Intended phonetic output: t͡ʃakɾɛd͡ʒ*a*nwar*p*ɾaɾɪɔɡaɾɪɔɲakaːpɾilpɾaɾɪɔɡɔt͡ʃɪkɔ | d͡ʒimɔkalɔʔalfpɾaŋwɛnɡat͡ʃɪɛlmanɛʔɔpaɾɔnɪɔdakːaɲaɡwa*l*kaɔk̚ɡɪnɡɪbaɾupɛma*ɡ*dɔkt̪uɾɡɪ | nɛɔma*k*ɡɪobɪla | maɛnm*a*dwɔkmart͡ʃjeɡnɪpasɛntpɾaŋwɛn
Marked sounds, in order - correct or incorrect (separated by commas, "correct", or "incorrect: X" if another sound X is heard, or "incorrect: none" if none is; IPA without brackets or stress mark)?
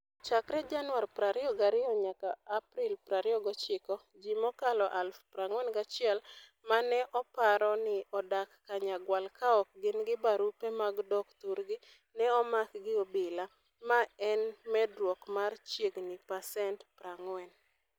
correct, correct, correct, correct, correct, incorrect: ɛ